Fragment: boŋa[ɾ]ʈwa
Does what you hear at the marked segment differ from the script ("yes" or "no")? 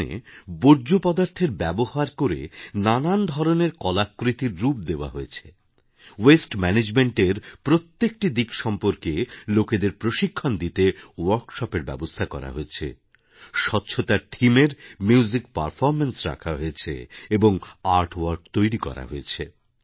no